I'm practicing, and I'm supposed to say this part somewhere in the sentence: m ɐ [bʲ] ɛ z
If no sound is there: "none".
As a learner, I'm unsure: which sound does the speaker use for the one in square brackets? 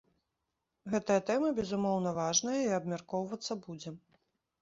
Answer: bʲ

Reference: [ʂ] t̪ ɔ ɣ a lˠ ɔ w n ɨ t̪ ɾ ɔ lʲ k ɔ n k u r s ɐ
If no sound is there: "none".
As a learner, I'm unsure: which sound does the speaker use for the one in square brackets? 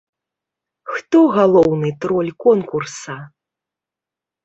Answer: x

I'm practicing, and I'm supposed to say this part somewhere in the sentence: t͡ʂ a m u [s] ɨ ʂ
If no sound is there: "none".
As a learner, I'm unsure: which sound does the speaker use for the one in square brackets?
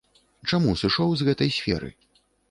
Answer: s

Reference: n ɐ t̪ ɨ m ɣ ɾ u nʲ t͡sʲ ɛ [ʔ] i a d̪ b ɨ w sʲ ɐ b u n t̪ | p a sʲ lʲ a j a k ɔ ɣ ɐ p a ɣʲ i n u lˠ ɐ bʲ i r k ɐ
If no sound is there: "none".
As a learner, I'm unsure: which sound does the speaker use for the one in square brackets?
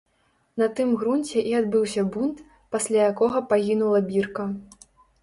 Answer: ʔ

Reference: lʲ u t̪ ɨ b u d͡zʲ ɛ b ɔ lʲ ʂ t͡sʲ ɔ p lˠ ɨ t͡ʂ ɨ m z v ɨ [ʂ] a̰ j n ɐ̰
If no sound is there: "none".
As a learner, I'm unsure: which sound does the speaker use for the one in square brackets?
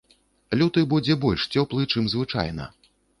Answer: t͡ʂ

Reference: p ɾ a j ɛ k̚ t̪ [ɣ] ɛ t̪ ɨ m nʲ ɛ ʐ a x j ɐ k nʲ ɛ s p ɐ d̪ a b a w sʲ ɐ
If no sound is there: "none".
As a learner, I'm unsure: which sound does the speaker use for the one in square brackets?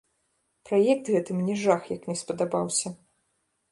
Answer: ɣ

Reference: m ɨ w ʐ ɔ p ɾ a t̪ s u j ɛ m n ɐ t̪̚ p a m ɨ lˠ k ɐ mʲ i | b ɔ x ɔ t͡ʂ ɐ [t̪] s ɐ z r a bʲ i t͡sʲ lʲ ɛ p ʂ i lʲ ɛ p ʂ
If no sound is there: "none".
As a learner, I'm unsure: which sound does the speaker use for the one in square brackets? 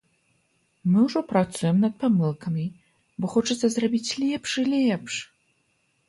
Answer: t̪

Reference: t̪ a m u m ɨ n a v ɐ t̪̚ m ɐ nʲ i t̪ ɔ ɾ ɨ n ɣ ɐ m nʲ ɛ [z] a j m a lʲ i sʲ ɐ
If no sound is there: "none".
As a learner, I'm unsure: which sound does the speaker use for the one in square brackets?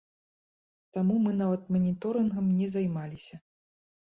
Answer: z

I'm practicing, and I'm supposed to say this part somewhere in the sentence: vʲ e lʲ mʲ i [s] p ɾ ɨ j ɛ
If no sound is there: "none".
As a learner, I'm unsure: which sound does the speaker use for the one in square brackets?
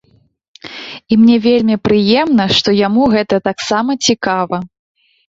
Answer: none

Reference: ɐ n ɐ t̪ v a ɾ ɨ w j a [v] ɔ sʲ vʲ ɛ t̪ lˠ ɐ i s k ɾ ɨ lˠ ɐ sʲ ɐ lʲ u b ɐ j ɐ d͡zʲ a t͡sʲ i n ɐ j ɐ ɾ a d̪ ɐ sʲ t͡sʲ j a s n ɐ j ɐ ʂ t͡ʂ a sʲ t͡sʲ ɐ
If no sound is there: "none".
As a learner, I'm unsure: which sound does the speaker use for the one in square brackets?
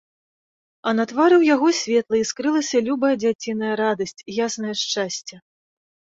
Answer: ɣ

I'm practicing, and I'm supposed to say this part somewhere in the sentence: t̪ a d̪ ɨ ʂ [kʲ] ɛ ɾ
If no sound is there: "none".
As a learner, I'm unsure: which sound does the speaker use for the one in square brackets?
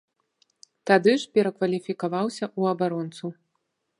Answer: pʲ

